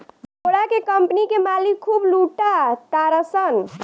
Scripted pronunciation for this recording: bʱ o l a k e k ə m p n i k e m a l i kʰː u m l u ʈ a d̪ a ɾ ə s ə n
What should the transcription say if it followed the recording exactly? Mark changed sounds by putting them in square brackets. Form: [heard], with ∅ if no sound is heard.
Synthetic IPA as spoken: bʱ o [ɽ] a k e k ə m p n i k e m a l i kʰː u [b] l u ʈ a [t̪] a ɾ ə s ə n